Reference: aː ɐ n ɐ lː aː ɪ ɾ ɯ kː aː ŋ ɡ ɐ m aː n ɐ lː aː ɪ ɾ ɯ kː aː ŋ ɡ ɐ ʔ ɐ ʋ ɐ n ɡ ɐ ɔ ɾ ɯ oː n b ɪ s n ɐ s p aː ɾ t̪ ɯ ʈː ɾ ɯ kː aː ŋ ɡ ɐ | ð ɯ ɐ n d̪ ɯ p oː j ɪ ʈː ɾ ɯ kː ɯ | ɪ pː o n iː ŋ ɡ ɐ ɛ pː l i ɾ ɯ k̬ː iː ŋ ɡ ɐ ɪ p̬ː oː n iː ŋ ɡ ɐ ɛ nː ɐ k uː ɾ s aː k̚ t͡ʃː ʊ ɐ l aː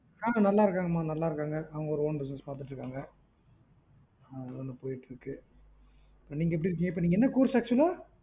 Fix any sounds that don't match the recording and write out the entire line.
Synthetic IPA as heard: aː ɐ n ɐ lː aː ɪ ɾ ɯ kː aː ŋ ɡ ɐ m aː n ɐ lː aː ɪ ɾ ɯ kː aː ŋ ɡ ɐ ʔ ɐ ʋ ɐ ŋ ɡ ɐ ɔ ɾ ɯ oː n b ɪ s n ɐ s p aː ɾ t̪ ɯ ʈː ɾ ɯ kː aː ŋ ɡ ɐ | ð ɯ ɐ n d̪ ɯ p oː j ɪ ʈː ɾ ɯ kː ɯ | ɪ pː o n iː ŋ ɡ ɐ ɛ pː ɽ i ɾ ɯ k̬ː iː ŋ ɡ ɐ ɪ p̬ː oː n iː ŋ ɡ ɐ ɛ nː ɐ k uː ɾ s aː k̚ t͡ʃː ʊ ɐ l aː

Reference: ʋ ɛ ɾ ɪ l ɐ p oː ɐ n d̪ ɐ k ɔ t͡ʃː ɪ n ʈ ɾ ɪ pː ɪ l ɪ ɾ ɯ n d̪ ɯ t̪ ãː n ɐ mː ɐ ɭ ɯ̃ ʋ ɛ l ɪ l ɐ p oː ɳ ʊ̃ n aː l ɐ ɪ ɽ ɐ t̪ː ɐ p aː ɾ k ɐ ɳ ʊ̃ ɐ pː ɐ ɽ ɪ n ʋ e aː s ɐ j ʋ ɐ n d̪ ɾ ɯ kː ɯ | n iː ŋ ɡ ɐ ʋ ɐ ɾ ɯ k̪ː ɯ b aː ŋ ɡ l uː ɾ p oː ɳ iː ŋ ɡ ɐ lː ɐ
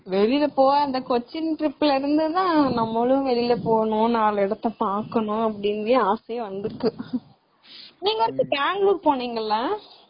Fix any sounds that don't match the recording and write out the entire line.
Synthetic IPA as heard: ʋ ɛ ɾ ɪ l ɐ p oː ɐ n d̪ ɐ k ɔ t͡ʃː ɪ n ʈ ɾ ɪ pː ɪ l ɪ ɾ ɯ n d̪ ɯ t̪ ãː n ɐ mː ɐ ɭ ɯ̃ ʋ ɛ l ɪ l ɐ p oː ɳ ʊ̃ n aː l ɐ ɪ ɽ ɐ t̪ː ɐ p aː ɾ k ɐ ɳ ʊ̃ ɐ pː ɐ ɽ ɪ n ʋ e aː s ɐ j ʋ ɐ n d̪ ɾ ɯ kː ɯ | n iː ŋ ɡ ɐ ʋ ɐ ɾ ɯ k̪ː ɯ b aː ŋ ɡ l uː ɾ p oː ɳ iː ŋ ɡ ɐ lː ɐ

